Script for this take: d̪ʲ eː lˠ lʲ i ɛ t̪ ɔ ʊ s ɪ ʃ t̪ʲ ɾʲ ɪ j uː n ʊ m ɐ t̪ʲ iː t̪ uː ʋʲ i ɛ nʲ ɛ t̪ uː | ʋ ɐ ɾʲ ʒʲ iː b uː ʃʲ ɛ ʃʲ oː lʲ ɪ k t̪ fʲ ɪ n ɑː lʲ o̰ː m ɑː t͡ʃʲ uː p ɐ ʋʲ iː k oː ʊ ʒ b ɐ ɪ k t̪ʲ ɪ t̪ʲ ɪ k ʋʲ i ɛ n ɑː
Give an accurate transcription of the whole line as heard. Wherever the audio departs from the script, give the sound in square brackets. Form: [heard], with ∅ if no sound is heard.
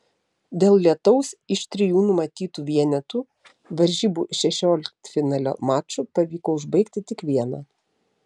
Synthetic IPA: d̪ʲ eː lˠ lʲ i ɛ t̪ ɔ ʊ s ɪ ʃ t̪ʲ ɾʲ ɪ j uː n ʊ m ɐ t̪ʲ iː t̪ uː ʋʲ i ɛ nʲ ɛ t̪ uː | ʋ ɐ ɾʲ ʒʲ iː b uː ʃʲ ɛ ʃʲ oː lʲ ɪ k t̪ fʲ ɪ n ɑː lʲ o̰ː m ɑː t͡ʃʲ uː p ɐ ʋʲ iː k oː ʊ ʒ b ɐ ɪ k t̪ʲ ɪ t̪ʲ ɪ k ʋʲ i ɛ n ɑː

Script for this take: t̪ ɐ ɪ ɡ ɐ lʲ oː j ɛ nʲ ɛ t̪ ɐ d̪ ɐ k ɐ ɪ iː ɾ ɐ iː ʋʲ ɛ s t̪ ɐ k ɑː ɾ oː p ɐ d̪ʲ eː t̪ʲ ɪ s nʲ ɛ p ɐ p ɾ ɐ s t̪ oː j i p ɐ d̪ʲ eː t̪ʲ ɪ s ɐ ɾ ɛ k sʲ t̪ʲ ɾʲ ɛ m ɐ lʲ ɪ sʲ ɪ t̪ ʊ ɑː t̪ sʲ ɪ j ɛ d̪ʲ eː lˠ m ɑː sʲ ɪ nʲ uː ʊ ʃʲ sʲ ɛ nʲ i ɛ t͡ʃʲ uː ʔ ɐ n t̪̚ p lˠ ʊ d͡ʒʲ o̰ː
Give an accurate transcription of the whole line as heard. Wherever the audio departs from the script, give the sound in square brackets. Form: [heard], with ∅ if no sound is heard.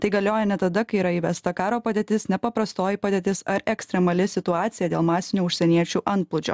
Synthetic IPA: t̪ ɐ ɪ ɡ ɐ lʲ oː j ɛ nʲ ɛ t̪ ɐ d̪ ɐ k ɐ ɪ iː ɾ ɐ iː ʋʲ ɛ s t̪ ɐ k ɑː ɾ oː p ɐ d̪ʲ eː t̪ʲ ɪ s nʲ ɛ p ɐ p ɾ ɐ s t̪ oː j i p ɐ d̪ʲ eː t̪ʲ ɪ s ɐ ɾ ɛ k sʲ t̪ʲ ɾʲ ɛ m ɐ lʲ ɪ sʲ ɪ t̪ ʊ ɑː t̪ sʲ ɪ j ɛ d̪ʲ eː lˠ m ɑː sʲ ɪ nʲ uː ʊ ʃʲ sʲ ɛ nʲ i ɛ t͡ʃʲ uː ʔ ɐ n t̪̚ p lˠ ʊ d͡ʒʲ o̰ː

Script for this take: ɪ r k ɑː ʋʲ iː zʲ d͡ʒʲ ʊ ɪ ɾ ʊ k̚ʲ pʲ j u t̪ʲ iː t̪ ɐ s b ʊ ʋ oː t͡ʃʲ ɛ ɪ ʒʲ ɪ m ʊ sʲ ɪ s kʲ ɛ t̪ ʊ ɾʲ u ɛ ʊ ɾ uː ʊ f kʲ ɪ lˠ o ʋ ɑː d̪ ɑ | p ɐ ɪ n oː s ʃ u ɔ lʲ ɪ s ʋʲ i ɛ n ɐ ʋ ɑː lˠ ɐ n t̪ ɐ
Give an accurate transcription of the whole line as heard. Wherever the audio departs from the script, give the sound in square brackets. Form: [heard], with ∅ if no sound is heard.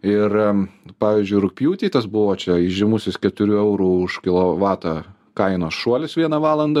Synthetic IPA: ɪ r [p] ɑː ʋʲ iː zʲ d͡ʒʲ ʊ ɪ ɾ ʊ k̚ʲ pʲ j [uː] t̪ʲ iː t̪ ɐ s b ʊ ʋ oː t͡ʃʲ ɛ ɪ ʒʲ ɪ m ʊ sʲ ɪ s kʲ ɛ t̪ ʊ ɾʲ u ɛ ʊ ɾ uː ʊ [ʃ] kʲ ɪ lˠ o ʋ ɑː [t̪] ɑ | [k] ɐ ɪ n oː s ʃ u ɔ lʲ ɪ s ʋʲ i ɛ n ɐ ʋ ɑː lˠ ɐ n [d̪] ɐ

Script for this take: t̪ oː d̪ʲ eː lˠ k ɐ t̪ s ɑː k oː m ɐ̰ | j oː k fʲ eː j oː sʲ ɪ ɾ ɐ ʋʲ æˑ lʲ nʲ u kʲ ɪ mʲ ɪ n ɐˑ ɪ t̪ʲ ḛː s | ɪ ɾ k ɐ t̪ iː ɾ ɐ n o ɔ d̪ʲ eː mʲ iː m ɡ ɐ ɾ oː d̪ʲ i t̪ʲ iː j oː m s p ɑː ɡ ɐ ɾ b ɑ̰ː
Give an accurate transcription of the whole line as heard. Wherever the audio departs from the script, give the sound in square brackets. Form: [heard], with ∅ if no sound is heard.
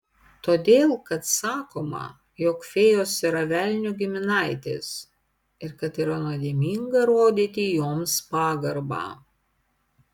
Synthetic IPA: t̪ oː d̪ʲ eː lˠ k ɐ t̪ s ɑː k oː m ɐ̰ | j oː k fʲ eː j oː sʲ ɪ ɾ ɐ ʋʲ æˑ lʲ nʲ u [ɡʲ] ɪ mʲ ɪ n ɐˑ ɪ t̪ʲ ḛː s | ɪ ɾ k ɐ t̪ iː ɾ ɐ n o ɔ d̪ʲ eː mʲ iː [ŋ] ɡ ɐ ɾ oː d̪ʲ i t̪ʲ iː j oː m s p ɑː ɡ ɐ ɾ b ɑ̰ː

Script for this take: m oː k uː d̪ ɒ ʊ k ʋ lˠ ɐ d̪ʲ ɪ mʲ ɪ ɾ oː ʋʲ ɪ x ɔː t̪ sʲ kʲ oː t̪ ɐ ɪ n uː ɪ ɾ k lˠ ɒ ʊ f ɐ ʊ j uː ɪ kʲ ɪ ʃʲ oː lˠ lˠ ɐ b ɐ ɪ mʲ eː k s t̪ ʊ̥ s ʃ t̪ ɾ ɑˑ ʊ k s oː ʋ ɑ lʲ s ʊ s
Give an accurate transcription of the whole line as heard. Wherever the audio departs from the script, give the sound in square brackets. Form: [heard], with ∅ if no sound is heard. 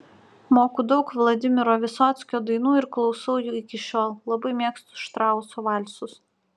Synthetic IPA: m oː k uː d̪ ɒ ʊ k ʋ lˠ ɐ d̪ʲ ɪ mʲ ɪ ɾ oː ʋʲ ɪ [s] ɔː t̪ sʲ kʲ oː [d̪] ɐ ɪ n uː ɪ ɾ k lˠ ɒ ʊ [s] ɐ ʊ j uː ɪ kʲ ɪ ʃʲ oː lˠ lˠ ɐ b ɐ ɪ mʲ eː k s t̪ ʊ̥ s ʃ t̪ ɾ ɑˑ ʊ [∅] s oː ʋ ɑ lʲ s ʊ s

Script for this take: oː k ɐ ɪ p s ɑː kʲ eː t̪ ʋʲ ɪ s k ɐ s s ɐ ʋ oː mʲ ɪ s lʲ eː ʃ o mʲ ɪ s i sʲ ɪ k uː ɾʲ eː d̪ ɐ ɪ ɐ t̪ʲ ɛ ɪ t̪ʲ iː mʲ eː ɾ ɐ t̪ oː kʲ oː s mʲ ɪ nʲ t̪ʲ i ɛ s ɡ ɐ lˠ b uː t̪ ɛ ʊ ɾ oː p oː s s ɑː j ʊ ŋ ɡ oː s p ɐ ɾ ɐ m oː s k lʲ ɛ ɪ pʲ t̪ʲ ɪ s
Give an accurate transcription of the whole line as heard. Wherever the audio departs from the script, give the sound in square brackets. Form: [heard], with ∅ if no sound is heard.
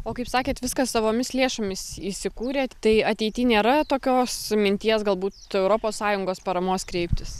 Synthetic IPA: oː k ɐ ɪ p s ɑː kʲ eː t̪ ʋʲ ɪ s k ɐ s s ɐ ʋ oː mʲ ɪ s lʲ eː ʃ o mʲ ɪ s i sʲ ɪ k uː ɾʲ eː [t̪] ɐ ɪ ɐ t̪ʲ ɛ ɪ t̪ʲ iː [nʲ] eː ɾ ɐ t̪ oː kʲ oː s mʲ ɪ nʲ t̪ʲ i ɛ s ɡ ɐ lˠ b uː t̪ ɛ ʊ ɾ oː p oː s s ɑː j ʊ ŋ ɡ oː s p ɐ ɾ ɐ m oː s k [ɾʲ] ɛ ɪ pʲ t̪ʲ ɪ s

